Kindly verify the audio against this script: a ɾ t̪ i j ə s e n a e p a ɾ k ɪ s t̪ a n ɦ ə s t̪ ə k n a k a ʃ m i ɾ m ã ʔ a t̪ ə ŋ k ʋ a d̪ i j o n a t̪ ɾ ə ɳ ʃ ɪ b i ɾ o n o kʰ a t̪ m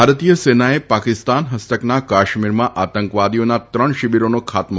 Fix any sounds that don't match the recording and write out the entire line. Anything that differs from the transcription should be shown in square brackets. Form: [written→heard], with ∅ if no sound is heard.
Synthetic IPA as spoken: a ɾ t̪ i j ə s e n a e p a [ɾ→∅] k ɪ s t̪ a n ɦ ə s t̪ ə k n a k a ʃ m i ɾ m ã ʔ a t̪ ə ŋ k ʋ a d̪ i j o n a t̪ ɾ ə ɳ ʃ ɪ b i ɾ o n o kʰ a t̪ m